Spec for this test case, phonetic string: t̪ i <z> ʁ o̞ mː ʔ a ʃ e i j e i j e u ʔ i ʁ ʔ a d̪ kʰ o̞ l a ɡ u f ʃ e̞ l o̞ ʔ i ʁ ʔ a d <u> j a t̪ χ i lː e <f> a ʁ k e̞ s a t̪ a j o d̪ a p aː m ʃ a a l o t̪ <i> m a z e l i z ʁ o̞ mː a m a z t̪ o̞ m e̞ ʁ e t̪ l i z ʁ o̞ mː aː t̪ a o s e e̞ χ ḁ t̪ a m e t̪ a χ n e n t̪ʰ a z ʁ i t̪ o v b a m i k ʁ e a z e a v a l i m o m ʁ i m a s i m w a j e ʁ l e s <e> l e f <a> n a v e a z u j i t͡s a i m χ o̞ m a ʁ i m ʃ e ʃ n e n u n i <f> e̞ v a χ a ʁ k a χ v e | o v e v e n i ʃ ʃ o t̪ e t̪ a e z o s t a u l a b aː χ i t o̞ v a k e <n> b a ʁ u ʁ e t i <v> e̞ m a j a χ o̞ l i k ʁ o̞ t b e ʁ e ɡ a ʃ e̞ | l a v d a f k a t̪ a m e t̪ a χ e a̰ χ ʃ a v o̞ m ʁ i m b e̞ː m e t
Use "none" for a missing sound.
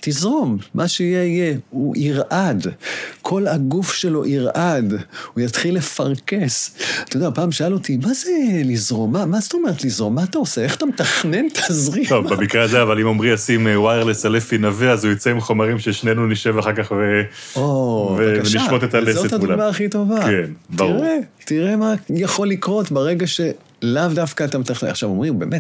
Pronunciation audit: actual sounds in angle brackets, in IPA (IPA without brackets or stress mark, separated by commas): z, u, f, i, a, i, ʃ, n, ʁ